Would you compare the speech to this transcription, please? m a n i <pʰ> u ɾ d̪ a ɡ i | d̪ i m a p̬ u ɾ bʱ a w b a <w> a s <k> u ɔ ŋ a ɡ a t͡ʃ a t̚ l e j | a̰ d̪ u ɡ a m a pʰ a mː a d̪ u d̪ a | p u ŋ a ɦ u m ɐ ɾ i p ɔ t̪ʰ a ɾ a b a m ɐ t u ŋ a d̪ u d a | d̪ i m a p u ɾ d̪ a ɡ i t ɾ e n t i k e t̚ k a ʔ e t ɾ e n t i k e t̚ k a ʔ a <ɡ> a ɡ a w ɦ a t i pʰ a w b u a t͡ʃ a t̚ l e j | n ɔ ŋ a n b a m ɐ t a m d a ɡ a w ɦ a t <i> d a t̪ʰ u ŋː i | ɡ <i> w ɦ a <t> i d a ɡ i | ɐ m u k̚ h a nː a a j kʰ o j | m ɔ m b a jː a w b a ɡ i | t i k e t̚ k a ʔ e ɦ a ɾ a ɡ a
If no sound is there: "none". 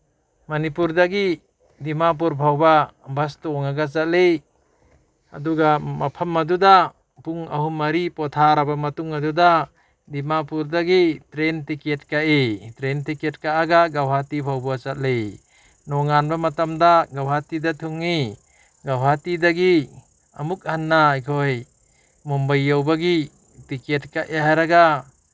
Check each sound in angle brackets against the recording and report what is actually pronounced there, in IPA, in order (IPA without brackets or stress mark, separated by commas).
p, b, t, ɡ, i, a, t